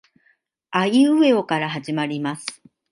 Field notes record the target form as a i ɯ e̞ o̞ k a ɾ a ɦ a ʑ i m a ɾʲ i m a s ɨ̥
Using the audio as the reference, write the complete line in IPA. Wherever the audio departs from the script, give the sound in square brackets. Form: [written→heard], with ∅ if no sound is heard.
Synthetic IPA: a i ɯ e̞ o̞ k a ɾ a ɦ a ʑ i m a ɾʲ i m a s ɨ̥